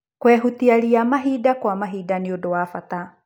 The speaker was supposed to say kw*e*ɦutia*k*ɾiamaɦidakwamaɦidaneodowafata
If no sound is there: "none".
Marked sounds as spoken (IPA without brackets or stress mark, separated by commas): ɛ, none